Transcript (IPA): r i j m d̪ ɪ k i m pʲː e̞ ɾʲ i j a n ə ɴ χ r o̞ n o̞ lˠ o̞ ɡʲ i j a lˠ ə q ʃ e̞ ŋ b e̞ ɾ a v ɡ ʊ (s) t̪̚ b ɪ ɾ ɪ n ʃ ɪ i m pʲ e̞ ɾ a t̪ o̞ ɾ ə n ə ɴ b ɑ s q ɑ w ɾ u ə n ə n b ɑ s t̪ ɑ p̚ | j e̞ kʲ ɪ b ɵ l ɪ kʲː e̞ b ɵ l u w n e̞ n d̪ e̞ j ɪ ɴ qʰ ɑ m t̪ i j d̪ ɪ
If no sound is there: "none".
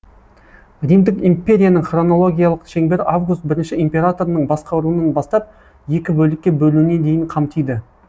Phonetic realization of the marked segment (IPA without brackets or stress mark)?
s